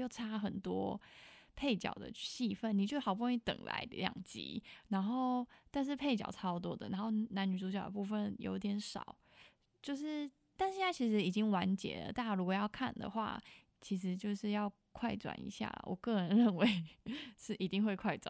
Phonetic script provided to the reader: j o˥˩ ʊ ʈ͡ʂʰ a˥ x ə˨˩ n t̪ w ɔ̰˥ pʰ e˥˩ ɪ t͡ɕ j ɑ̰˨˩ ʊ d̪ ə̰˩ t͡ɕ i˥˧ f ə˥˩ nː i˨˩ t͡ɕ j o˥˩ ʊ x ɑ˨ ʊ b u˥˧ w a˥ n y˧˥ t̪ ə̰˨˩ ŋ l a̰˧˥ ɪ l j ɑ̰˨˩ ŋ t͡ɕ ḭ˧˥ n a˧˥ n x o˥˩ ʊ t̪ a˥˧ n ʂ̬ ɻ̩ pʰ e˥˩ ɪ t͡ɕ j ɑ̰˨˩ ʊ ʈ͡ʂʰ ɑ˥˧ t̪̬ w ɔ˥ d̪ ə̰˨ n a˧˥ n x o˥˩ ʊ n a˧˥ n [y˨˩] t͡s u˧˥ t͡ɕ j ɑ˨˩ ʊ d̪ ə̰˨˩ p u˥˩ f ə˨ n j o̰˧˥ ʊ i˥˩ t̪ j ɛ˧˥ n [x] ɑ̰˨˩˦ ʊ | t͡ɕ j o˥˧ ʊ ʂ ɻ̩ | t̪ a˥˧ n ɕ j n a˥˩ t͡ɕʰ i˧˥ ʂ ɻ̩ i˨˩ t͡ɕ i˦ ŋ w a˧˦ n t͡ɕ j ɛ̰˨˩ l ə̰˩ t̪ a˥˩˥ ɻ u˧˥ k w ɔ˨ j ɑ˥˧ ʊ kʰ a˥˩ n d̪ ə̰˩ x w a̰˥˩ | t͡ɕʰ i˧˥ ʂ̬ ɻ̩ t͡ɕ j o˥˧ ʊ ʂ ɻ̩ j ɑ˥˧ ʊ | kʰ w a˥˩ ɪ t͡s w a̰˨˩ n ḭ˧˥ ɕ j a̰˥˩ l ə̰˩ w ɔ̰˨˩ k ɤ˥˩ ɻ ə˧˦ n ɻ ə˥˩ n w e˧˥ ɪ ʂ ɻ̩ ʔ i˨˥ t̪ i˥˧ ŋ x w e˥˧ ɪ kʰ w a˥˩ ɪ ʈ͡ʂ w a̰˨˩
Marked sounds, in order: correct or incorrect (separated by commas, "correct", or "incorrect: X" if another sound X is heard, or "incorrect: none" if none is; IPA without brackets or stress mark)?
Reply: correct, incorrect: ʂ